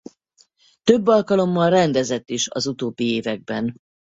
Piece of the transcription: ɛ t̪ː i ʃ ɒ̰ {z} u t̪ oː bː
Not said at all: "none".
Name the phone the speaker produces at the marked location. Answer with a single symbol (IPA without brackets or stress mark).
z